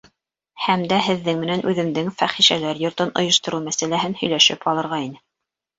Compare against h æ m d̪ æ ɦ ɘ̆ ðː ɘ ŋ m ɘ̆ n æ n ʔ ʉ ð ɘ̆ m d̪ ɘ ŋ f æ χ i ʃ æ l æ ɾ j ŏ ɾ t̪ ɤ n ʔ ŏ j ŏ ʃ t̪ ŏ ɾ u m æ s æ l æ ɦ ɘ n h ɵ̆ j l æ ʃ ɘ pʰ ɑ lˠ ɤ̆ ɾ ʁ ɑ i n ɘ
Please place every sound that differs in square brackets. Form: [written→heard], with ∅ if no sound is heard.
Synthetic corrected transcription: h æ m d̪ æ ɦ ɘ̆ ðː ɘ ŋ m ɘ̆ n æ n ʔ ʉ ð ɘ̆ m d̪ ɘ ŋ f æ χ i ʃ æ l æ ɾ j ŏ ɾ t̪ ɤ n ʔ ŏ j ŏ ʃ t̪ ŏ ɾ u m æ s æ l æ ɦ ɘ n h ɵ̆ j l æ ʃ ɘ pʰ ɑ lˠ ɤ̆ ɾ ʁ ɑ i n ɘ